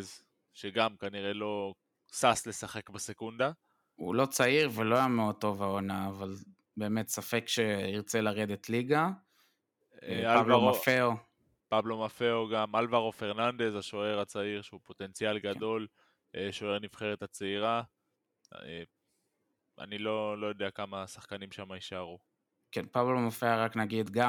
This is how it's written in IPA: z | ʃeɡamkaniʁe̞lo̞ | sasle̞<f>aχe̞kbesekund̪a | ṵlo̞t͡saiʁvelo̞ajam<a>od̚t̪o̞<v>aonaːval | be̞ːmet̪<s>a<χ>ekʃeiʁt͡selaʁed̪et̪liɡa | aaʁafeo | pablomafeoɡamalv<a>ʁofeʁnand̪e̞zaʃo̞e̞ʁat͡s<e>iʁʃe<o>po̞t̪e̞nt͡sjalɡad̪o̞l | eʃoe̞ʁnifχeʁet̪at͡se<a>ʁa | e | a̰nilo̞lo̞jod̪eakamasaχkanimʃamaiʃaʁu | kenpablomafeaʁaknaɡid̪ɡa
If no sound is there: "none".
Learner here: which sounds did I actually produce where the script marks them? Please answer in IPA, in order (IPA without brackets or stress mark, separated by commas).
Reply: s, e, v, s, f, a, a, u, i